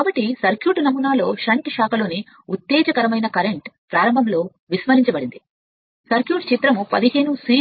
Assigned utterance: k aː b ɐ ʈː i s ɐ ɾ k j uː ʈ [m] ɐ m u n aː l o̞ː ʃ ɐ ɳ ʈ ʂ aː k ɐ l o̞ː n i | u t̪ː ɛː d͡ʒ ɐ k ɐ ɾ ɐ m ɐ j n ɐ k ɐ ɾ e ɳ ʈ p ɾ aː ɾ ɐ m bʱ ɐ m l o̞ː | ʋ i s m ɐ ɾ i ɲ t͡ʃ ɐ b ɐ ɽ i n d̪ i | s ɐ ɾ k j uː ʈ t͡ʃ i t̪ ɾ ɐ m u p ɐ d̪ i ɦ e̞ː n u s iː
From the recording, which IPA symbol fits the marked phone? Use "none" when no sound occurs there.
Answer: n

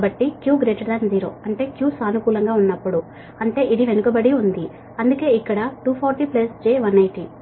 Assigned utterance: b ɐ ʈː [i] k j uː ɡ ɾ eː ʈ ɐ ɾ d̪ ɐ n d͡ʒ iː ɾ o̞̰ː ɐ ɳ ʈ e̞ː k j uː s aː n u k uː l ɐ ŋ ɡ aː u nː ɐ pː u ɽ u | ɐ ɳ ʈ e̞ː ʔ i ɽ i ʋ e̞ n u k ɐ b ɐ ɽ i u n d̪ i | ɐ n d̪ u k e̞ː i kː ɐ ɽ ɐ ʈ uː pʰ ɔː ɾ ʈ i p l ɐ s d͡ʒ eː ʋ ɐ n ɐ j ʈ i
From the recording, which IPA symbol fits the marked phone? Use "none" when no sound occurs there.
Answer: i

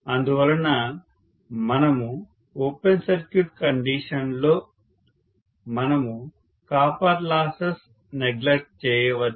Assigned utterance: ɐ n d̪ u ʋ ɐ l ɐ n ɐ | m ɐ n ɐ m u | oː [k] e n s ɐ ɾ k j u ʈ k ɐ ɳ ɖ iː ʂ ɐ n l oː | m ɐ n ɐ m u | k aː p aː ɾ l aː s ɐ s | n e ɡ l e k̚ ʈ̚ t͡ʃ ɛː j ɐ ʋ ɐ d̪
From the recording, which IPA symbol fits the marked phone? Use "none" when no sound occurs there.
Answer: p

